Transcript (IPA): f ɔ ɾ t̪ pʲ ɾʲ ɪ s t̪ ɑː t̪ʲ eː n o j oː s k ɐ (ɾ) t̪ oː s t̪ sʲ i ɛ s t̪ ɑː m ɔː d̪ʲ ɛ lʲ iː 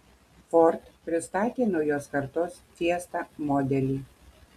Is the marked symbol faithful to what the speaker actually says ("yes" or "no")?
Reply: yes